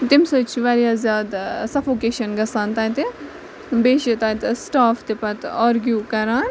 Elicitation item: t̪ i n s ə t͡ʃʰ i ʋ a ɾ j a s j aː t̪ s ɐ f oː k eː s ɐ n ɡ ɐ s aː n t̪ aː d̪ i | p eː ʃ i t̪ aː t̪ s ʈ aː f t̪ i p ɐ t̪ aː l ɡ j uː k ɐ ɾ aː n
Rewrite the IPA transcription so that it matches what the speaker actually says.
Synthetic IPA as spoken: t̪ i m s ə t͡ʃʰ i ʋ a ɾ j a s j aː d̪ s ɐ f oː k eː ʃ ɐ n ɡ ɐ s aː n t̪ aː t̪ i | b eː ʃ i t̪ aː t̪ s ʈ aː f t̪ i p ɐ t̪ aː ɾ ɡ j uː k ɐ ɾ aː n